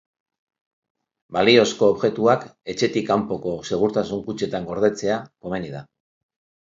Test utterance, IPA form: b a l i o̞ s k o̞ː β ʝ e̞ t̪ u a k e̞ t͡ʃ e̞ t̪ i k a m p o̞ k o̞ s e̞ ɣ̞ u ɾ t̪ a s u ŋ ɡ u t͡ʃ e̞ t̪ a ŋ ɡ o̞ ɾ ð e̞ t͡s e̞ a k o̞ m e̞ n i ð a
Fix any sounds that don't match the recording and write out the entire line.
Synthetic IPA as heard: b a l i o̞ s k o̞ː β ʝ e̞ t̪ u a k e̞ t͡ʃ e̞ t̪ i k a m p o̞ k o̞ s e̞ ɣ̞ u ɾ t̪ a s u ŋ k u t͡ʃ e̞ t̪ a ŋ ɡ o̞ ɾ ð e̞ t͡s e̞ a k o̞ m e̞ n i ð a